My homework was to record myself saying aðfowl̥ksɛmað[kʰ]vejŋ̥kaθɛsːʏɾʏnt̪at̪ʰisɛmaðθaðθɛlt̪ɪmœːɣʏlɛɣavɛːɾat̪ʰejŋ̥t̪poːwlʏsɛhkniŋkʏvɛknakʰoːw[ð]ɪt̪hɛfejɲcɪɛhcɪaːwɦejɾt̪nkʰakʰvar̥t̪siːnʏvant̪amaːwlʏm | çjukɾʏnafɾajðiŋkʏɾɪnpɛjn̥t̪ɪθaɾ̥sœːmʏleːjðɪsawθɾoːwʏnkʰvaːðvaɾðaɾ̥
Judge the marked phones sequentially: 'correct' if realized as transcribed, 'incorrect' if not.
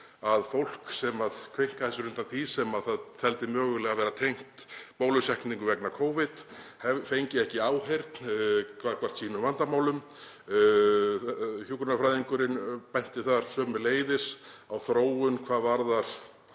correct, incorrect: v

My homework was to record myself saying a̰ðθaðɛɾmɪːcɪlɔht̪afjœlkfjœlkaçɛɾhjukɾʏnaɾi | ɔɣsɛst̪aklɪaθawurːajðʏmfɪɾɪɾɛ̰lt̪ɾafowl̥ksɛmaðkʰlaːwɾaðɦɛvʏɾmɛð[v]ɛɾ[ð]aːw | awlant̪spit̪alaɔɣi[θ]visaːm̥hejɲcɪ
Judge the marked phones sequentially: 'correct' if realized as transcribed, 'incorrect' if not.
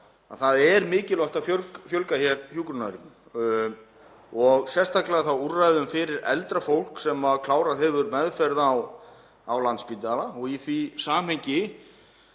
incorrect: f, correct, correct

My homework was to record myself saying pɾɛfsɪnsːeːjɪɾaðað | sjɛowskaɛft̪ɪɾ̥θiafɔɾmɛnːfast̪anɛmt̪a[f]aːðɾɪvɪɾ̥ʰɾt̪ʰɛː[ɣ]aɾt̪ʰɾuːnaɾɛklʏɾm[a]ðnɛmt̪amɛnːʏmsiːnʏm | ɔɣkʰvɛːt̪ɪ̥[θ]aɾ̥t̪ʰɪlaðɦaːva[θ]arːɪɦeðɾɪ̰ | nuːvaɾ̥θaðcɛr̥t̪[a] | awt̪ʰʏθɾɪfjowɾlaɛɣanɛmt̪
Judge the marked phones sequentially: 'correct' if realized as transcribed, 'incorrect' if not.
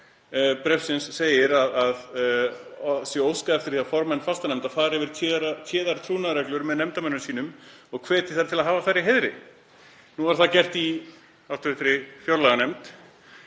correct, incorrect: ð, incorrect: ɛ, correct, correct, incorrect: i

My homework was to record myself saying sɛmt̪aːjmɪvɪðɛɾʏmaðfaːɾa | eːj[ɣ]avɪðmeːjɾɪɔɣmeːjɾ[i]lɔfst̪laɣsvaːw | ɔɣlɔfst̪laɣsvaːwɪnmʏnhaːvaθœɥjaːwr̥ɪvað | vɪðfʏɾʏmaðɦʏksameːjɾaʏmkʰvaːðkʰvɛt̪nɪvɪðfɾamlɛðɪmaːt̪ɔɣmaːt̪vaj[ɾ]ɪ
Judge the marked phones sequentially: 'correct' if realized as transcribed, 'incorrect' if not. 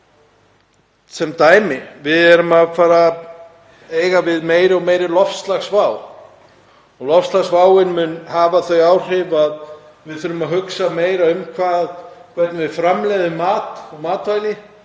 correct, incorrect: ɪ, incorrect: l

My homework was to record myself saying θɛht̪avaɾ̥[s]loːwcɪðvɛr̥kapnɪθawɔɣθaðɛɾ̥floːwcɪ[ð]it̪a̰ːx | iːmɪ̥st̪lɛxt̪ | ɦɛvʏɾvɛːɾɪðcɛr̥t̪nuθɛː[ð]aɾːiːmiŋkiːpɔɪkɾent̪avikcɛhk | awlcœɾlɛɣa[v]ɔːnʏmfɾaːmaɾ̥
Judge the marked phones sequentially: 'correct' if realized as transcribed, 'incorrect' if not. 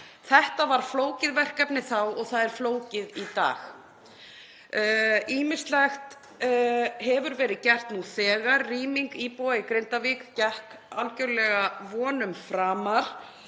incorrect: f, correct, incorrect: ɣ, correct

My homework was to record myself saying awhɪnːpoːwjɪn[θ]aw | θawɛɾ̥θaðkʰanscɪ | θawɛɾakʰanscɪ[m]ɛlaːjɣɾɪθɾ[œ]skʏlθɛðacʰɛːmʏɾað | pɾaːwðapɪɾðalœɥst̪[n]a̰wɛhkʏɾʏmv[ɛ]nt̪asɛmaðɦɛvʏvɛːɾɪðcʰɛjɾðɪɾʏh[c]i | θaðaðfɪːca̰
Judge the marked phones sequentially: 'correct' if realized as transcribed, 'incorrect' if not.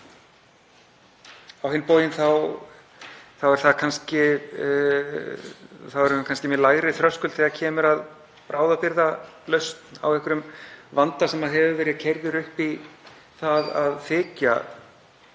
correct, correct, correct, correct, incorrect: a, incorrect: p

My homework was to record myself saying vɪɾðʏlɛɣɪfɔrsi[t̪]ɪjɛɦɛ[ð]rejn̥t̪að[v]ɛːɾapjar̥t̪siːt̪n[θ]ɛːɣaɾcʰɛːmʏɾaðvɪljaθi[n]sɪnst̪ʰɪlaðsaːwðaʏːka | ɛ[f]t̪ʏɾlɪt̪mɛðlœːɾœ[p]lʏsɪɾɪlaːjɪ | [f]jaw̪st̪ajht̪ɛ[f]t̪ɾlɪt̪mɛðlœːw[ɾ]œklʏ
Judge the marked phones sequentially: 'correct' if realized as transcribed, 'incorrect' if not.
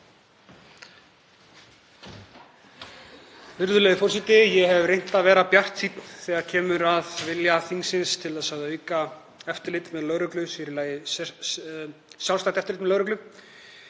correct, incorrect: v, correct, correct, incorrect: ŋ, correct, incorrect: k, incorrect: s, correct, correct

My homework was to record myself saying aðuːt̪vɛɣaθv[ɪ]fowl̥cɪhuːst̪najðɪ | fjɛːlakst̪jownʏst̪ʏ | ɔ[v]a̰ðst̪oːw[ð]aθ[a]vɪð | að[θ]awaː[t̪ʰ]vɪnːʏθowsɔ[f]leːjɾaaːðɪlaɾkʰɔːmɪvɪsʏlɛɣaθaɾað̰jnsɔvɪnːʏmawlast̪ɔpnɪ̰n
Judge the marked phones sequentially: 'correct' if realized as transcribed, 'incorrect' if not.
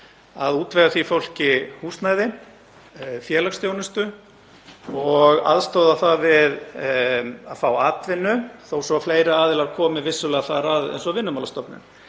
incorrect: i, incorrect: ɣ, correct, correct, incorrect: f, incorrect: t̪, correct

